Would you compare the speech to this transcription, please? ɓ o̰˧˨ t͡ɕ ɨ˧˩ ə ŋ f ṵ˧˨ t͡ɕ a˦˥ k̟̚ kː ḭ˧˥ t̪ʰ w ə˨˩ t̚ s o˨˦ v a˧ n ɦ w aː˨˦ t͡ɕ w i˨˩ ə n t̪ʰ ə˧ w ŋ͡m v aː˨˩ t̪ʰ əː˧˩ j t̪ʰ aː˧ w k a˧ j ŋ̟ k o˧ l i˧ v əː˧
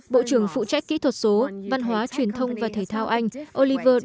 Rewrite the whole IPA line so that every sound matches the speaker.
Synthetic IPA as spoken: ɓ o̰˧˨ t͡ɕ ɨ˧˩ ə ŋ f ṵ˧˨ t͡ɕ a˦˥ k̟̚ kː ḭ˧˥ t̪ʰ w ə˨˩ t̚ s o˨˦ v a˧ n ɦ w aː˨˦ t͡ɕ w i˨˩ ə n t̪ʰ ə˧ w ŋ͡m v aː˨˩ t̪ʰ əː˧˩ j t̪ʰ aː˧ w ʔ a˧ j ŋ̟ ʔ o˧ l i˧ v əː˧